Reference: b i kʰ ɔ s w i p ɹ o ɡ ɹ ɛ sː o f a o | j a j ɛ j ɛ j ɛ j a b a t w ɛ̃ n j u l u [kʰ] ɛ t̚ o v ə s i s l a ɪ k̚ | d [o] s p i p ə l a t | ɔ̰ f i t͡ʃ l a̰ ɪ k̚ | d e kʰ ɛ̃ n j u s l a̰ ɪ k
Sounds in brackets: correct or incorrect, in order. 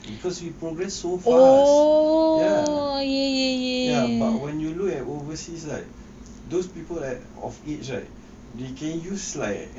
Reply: incorrect: k, correct

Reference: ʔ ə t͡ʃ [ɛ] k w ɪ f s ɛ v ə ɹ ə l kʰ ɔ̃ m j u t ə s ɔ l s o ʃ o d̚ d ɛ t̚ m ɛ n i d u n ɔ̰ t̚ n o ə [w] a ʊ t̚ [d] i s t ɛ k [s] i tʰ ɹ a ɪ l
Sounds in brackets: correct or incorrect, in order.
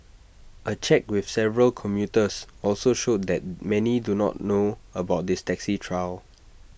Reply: correct, incorrect: b, correct, correct

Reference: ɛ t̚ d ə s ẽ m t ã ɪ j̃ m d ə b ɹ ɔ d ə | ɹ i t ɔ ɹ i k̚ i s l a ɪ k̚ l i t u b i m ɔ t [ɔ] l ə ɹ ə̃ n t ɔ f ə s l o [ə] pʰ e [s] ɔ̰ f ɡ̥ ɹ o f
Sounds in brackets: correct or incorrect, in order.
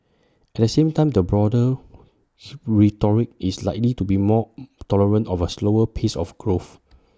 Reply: correct, correct, correct

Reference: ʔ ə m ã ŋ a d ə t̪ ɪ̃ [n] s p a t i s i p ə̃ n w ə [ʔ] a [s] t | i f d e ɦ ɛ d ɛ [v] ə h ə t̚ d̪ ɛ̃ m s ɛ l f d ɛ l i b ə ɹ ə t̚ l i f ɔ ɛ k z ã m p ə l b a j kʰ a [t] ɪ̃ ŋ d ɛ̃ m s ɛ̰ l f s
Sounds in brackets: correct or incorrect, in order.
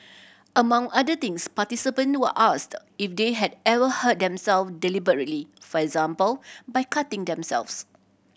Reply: incorrect: ŋ, correct, correct, correct, correct

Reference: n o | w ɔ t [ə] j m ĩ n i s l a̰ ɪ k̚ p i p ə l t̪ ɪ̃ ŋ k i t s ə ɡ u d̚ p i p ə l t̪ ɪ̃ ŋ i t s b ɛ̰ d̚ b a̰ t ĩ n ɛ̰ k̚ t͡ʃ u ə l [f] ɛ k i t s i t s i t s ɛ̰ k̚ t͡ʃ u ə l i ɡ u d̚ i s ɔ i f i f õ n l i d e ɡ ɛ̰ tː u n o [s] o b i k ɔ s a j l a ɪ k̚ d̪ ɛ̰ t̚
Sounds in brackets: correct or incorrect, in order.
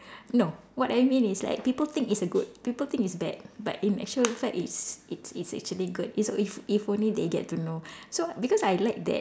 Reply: incorrect: a, correct, correct

